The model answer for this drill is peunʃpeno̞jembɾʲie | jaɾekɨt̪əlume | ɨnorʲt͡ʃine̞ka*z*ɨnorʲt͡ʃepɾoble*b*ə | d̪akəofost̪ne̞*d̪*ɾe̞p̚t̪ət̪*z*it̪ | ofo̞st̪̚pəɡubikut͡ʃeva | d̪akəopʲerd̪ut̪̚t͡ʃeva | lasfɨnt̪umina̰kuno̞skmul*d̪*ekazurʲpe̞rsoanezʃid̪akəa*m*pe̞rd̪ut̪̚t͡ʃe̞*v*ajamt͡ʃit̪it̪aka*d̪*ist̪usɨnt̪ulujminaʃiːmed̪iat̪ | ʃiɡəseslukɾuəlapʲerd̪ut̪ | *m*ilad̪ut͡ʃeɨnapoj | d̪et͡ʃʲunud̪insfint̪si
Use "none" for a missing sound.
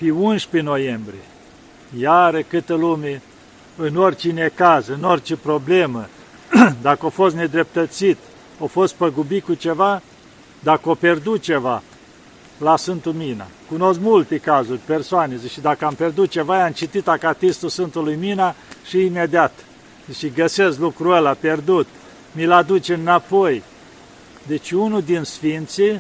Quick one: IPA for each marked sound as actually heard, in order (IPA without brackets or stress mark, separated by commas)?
z, m, d̪, s, t̪, m, v, t̪, m